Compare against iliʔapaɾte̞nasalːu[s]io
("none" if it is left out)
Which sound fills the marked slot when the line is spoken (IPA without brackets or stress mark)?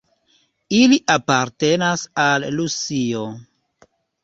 s